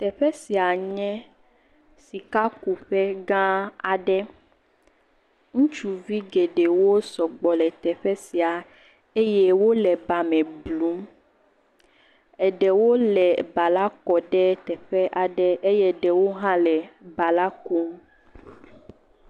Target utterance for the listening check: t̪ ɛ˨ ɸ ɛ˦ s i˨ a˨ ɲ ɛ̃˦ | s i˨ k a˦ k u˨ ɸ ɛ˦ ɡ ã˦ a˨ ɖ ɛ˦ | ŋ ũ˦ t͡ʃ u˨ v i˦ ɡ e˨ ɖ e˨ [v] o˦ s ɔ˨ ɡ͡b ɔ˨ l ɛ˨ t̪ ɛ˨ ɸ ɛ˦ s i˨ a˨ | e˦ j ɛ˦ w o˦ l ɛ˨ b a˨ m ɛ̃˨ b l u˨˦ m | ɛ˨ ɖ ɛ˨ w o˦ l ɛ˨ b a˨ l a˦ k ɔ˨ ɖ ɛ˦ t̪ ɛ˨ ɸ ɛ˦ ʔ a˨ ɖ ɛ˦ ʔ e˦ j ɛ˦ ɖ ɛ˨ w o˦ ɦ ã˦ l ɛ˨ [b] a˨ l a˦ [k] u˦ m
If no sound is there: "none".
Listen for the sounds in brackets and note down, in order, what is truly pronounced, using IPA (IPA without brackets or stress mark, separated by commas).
w, b, k